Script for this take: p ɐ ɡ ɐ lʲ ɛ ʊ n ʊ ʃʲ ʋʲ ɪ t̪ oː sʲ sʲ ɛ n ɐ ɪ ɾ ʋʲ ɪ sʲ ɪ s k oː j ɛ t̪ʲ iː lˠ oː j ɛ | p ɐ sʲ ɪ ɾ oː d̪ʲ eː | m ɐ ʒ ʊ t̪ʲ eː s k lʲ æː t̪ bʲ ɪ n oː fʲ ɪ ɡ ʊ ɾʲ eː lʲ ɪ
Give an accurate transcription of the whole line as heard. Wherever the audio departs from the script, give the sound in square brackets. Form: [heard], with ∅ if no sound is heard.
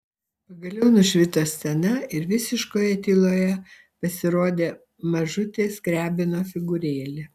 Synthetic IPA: p ɐ ɡ ɐ lʲ ɛ ʊ n ʊ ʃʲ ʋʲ ɪ t̪ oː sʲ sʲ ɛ n ɐ ɪ ɾ ʋʲ ɪ sʲ ɪ [ʃ] k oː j ɛ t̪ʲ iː lˠ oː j ɛ | p ɐ sʲ ɪ ɾ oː d̪ʲ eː | m ɐ ʒ ʊ t̪ʲ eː s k [ɾʲ] æː [∅] bʲ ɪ n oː fʲ ɪ ɡ ʊ ɾʲ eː lʲ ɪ

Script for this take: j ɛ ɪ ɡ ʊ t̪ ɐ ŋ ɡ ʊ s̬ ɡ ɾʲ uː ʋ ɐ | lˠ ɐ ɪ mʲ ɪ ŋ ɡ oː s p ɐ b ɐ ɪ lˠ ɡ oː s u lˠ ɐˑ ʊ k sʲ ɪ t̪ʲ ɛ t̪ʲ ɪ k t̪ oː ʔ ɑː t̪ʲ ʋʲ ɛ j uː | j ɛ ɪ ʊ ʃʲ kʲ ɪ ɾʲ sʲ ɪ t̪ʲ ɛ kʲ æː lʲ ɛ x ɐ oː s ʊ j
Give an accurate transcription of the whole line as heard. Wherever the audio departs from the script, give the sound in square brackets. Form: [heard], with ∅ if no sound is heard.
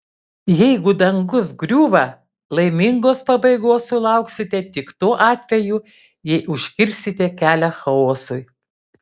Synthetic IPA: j ɛ ɪ ɡ ʊ [d̪] ɐ ŋ ɡ ʊ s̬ ɡ ɾʲ uː ʋ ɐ | lˠ ɐ ɪ mʲ ɪ ŋ ɡ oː s p ɐ b ɐ ɪ [∅] ɡ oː s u lˠ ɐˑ ʊ k sʲ ɪ t̪ʲ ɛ t̪ʲ ɪ k t̪ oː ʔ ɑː t̪ʲ ʋʲ ɛ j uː | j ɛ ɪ ʊ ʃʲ kʲ ɪ ɾʲ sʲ ɪ t̪ʲ ɛ kʲ æː lʲ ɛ x ɐ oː s ʊ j

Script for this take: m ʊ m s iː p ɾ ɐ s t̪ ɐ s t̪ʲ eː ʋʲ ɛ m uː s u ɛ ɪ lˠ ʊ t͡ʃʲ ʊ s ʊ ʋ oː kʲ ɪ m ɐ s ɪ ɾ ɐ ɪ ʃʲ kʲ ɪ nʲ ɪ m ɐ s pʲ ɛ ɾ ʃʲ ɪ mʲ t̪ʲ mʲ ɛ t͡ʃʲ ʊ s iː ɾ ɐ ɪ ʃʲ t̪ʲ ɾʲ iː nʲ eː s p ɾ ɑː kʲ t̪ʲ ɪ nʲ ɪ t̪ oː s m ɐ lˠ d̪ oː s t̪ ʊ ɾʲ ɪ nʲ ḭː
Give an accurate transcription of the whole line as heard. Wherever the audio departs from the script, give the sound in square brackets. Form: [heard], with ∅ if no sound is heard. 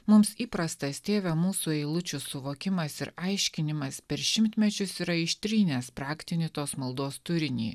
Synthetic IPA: m ʊ m s iː p ɾ ɐ s t̪ ɐ s t̪ʲ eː ʋʲ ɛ m uː s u ɛ ɪ lˠ ʊ t͡ʃʲ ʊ s ʊ ʋ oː kʲ ɪ m ɐ s ɪ ɾ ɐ ɪ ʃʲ kʲ ɪ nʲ ɪ m ɐ s pʲ ɛ ɾ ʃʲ ɪ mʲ t̪ʲ mʲ ɛ t͡ʃʲ ʊ s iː ɾ ɐ ɪ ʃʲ t̪ʲ ɾʲ iː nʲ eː s p ɾ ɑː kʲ t̪ʲ ɪ nʲ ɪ t̪ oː s m ɐ lˠ d̪ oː s t̪ ʊ ɾʲ ɪ nʲ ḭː

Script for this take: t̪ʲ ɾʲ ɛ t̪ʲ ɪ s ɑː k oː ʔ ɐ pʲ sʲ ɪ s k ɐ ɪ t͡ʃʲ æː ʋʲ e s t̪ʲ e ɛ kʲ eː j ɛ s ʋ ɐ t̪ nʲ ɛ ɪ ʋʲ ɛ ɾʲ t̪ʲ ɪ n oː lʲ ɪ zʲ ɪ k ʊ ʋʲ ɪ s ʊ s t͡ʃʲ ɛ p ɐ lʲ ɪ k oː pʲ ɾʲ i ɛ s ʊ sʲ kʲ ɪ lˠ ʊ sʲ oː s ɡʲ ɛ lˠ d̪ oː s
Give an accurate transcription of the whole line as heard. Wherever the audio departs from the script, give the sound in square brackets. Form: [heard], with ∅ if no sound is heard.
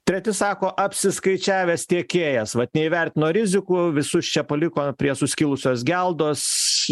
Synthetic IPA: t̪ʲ ɾʲ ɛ t̪ʲ ɪ s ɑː k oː ʔ ɐ pʲ sʲ ɪ s k ɐ ɪ t͡ʃʲ æː ʋʲ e s t̪ʲ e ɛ kʲ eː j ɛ s ʋ ɐ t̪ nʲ ɛ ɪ ʋʲ ɛ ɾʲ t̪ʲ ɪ n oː [ɾʲ] ɪ zʲ ɪ k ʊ ʋʲ ɪ s ʊ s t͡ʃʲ ɛ p ɐ lʲ ɪ k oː pʲ ɾʲ i ɛ s ʊ sʲ kʲ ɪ lˠ ʊ sʲ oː s ɡʲ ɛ lˠ d̪ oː s

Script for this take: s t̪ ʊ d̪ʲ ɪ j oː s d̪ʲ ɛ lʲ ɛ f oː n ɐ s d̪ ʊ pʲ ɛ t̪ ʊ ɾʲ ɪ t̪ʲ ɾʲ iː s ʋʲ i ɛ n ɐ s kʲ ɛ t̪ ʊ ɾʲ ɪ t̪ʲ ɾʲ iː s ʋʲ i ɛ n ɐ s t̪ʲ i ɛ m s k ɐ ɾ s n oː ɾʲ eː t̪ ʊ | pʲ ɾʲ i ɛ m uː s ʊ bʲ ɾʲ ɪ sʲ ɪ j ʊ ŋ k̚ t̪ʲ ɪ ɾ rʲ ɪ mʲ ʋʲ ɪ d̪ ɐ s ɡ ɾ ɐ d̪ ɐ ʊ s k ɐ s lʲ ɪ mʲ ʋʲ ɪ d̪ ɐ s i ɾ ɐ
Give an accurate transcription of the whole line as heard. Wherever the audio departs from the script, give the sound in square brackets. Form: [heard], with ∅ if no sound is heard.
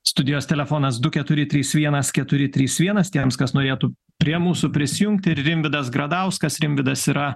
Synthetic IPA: s t̪ ʊ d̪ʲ ɪ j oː s [t̪ʲ] ɛ lʲ ɛ f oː n ɐ s d̪ ʊ [kʲ] ɛ t̪ ʊ ɾʲ ɪ t̪ʲ ɾʲ iː s ʋʲ i ɛ n ɐ s kʲ ɛ t̪ ʊ ɾʲ ɪ t̪ʲ ɾʲ iː s ʋʲ i ɛ n ɐ s t̪ʲ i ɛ m s k ɐ [∅] s n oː ɾʲ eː t̪ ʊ | pʲ ɾʲ i ɛ m uː s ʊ [pʲ] ɾʲ ɪ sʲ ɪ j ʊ ŋ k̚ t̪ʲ ɪ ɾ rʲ ɪ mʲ ʋʲ ɪ d̪ ɐ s ɡ ɾ ɐ d̪ ɐ ʊ s k ɐ s [ɾʲ] ɪ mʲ ʋʲ ɪ d̪ ɐ s i ɾ ɐ

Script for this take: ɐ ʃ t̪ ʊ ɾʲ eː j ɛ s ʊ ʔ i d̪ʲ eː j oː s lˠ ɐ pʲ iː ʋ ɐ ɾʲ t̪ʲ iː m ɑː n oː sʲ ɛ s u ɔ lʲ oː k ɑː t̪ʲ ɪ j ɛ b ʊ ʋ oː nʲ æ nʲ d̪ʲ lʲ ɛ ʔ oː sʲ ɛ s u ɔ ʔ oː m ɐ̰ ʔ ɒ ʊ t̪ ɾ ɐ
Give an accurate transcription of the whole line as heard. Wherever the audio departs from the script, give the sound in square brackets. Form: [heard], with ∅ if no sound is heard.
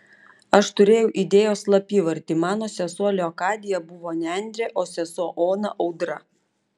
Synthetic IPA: ɐ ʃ t̪ ʊ ɾʲ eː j ɛ [∅] ʊ ʔ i d̪ʲ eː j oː s lˠ ɐ pʲ iː ʋ ɐ ɾʲ t̪ʲ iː m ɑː n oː sʲ ɛ s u ɔ lʲ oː k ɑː [d̪ʲ] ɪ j ɛ b ʊ ʋ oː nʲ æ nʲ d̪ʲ [ɾʲ] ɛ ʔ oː sʲ ɛ s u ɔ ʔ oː [n] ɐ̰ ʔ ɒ ʊ [d̪] ɾ ɐ

